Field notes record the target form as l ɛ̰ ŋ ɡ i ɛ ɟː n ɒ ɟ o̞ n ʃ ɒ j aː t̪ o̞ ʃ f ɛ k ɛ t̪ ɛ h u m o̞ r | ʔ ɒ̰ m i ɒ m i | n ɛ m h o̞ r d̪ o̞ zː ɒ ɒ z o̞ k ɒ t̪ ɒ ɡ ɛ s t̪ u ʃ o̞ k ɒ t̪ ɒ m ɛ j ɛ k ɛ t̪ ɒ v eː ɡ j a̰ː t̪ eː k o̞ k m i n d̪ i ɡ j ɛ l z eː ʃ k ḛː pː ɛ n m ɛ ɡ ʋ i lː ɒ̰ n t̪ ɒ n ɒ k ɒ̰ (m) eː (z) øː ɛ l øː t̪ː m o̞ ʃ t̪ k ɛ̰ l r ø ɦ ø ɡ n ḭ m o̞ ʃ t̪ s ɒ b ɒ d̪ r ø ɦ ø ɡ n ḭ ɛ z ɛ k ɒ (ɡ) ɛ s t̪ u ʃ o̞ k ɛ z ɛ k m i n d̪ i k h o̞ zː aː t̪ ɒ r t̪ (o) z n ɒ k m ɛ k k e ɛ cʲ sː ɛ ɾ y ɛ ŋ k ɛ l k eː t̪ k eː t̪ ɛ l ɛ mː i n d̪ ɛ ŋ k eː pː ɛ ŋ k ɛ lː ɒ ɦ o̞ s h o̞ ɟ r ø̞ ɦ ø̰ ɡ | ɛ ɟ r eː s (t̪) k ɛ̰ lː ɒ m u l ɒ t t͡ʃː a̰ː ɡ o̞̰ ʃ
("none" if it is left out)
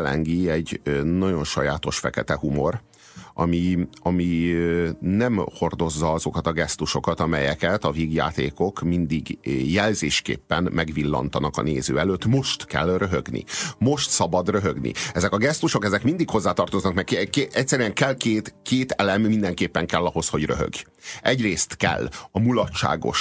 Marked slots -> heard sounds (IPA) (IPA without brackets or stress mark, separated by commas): n, z, ɡ, o, t̪